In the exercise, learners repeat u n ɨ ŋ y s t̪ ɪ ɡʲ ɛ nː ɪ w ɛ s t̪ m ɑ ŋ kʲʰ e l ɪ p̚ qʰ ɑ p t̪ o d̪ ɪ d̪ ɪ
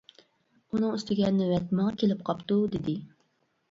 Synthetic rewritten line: u n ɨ ŋ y s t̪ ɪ ɡʲ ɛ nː ɪ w ɛ t̪ m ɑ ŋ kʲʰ e l ɪ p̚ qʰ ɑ p t̪ u d̪ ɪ d̪ ɪ

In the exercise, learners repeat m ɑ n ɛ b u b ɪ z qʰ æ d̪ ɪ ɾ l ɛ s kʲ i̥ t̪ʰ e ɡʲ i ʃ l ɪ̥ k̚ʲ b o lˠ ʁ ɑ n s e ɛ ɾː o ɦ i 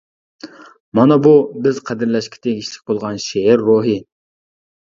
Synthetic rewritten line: m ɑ n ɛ b u b ɪ z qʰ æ d̪ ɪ ɾ l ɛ ʃ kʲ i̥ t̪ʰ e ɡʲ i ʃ l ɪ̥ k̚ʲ b o lˠ ʁ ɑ n ʃ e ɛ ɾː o ɦ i

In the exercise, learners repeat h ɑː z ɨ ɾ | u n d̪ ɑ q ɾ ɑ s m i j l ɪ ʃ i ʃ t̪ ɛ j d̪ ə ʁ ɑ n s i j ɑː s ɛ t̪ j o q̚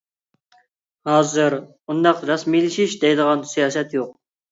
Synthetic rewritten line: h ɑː z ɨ ɾ | u n d̪ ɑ q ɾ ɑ s m i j l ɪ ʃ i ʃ d̪ ɛ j d̪ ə ʁ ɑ n s i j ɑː s ɛ t̪ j o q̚

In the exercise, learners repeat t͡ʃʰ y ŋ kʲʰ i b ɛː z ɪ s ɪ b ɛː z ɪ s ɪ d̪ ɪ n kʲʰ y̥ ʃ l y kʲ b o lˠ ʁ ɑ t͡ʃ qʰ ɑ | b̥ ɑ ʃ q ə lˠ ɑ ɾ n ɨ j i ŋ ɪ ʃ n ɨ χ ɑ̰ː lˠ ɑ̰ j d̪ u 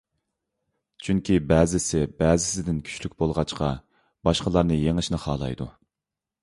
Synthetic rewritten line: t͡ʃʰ y ŋ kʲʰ i b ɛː z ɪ s ɪ b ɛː z ɪ s ɪ d̪ ɪ n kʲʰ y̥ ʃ l y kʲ b o lˠ ʁ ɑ t͡ʃ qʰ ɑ | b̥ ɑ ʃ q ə lˠ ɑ ɾ n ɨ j e ŋ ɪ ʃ n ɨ χ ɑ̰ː lˠ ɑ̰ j d̪ u

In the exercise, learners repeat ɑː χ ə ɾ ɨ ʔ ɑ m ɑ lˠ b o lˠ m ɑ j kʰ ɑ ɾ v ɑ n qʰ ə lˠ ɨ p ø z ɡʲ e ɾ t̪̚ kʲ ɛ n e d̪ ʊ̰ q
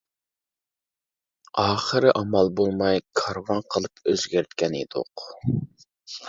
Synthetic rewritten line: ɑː χ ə ɾ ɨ ʔ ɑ m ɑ lˠ b o lˠ m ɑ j kʰ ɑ ɾ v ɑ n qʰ ə lˠ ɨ p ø z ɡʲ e ɾ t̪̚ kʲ ɛ n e d̪ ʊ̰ q

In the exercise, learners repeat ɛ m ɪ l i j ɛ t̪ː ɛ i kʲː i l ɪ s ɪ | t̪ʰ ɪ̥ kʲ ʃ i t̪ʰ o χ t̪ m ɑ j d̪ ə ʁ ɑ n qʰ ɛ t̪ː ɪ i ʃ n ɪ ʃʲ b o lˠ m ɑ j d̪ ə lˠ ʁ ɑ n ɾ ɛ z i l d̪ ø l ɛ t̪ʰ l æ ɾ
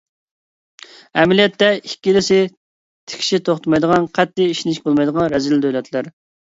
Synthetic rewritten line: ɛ m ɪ l i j ɛ t̪ː ɛ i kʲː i l ɪ s ɪ | t̪ʰ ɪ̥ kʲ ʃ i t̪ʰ o χ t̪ m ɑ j d̪ ə ʁ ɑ n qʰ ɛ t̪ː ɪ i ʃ n ɪ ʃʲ b o lˠ m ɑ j d̪ ə ʁ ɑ n ɾ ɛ z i l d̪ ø l ɛ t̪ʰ l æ ɾ

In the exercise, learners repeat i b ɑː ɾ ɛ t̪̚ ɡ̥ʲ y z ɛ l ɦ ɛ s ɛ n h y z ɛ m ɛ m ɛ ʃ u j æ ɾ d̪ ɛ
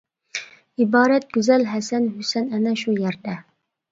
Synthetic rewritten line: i b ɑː ɾ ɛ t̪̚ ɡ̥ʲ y z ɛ l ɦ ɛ s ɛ n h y s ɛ n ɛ n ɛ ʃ u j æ ɾ d̪ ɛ

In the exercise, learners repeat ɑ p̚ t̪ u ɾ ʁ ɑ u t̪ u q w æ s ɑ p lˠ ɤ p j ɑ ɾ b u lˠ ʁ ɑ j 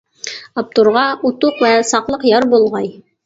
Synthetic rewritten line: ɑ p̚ t̪ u ɾ ʁ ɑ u t̪ u q w æ s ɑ q lˠ ɤ q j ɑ ɾ b u lˠ ʁ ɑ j

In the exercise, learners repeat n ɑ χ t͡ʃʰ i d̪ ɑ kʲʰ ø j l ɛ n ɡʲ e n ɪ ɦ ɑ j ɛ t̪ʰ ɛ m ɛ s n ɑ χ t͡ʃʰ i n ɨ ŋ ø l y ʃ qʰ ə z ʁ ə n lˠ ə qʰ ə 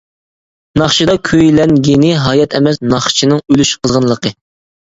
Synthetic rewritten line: n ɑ χ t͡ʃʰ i d̪ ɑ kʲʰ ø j l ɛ n ɡʲ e n ɪ ɦ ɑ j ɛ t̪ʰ ɛ m ɛ s n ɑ χ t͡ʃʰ i n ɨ ŋ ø l y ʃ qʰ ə z ʁ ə n lˠ ə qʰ ə

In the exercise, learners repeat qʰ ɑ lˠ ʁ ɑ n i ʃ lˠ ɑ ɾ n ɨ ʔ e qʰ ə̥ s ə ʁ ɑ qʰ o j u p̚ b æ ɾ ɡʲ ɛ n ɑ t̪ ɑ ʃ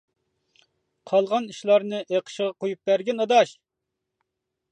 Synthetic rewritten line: qʰ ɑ lˠ ʁ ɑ n i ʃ lˠ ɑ ɾ n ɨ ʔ e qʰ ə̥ ʃ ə ʁ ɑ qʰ o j u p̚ b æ ɾ ɡʲ ɛ n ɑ d̪ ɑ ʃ

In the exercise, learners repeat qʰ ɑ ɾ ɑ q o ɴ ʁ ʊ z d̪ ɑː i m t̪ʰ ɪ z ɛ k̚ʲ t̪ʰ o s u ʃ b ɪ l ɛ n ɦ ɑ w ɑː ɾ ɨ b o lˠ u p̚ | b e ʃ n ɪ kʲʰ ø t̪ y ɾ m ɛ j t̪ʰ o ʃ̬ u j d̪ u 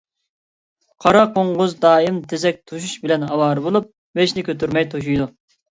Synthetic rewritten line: qʰ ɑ ɾ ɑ q o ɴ ʁ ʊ z d̪ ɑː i m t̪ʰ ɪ z ɛ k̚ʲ t̪ʰ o ʃ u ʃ b ɪ l ɛ n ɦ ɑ w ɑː ɾ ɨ b o lˠ u p̚ | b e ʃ n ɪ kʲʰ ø t̪ y ɾ m ɛ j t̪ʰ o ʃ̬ u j d̪ u

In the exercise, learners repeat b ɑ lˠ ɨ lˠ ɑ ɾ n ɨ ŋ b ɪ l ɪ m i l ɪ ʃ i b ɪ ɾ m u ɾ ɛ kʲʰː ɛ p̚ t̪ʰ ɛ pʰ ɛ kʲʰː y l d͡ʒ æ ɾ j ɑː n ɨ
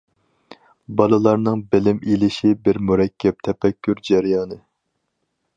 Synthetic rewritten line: b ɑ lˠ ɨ lˠ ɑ ɾ n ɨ ŋ b ɪ l ɪ m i l ɪ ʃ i b ɪ ɾ m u ɾ ɛ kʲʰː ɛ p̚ t̪ʰ ɛ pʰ ɛ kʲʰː y ɾ d͡ʒ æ ɾ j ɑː n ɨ

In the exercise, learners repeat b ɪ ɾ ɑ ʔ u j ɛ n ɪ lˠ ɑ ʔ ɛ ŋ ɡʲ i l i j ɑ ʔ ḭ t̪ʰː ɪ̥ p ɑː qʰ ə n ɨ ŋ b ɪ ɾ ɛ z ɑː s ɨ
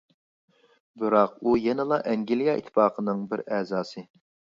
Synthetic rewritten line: b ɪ ɾ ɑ q u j ɛ n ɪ lˠ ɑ ʔ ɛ ŋ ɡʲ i l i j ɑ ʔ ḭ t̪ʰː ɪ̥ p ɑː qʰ ə n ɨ ŋ b ɪ ɾ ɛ z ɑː s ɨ

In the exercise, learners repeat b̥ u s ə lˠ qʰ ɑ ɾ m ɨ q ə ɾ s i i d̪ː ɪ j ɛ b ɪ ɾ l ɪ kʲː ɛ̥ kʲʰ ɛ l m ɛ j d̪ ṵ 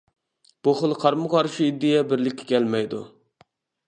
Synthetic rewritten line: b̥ u χ ə lˠ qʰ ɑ ɾ m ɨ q ɑ ɾ ʃ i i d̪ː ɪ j ɛ b ɪ ɾ l ɪ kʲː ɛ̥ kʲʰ ɛ l m ɛ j d̪ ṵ

